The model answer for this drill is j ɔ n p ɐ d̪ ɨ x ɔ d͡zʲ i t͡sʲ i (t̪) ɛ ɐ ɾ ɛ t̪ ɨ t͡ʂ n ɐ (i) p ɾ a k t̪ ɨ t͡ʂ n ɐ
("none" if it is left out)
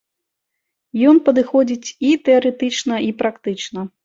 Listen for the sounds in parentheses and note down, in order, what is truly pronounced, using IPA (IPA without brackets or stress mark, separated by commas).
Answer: t̪, i